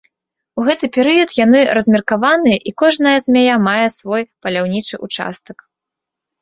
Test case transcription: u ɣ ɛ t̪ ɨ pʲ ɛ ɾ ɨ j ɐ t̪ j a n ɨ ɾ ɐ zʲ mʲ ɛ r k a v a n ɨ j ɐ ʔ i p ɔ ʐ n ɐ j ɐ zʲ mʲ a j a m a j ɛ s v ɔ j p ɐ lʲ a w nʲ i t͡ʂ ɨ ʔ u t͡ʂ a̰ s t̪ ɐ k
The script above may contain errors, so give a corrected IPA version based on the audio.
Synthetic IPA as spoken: u ɣ ɛ t̪ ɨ pʲ ɛ ɾ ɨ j ɐ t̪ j a n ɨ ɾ ɐ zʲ mʲ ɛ r k a v a n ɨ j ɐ ʔ i k ɔ ʐ n ɐ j ɐ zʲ mʲ a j a m a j ɛ s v ɔ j p ɐ lʲ a w nʲ i t͡ʂ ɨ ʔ u t͡ʂ a̰ s t̪ ɐ k